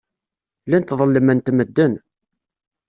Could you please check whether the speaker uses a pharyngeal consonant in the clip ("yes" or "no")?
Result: no